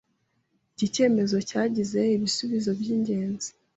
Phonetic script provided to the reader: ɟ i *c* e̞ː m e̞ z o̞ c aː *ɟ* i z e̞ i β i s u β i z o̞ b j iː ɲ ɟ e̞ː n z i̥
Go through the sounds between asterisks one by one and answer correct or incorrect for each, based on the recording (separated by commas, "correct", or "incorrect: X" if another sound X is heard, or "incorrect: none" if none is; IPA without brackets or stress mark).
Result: correct, correct